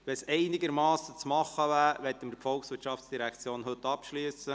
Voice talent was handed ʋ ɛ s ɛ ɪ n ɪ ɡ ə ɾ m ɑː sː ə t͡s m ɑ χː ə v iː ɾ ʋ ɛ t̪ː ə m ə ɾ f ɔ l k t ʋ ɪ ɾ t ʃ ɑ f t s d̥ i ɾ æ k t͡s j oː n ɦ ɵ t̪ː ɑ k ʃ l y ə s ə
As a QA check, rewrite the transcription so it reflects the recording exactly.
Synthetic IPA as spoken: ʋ ɛ s ɛ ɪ n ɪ ɡ ə ɾ m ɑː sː ə t͡s m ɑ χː ə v æː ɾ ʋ ɛ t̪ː ə m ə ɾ f ɔ l k s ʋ ɪ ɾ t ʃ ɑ f t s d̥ i ɾ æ k t͡s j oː n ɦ ɵ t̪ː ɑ p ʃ l y ə s ə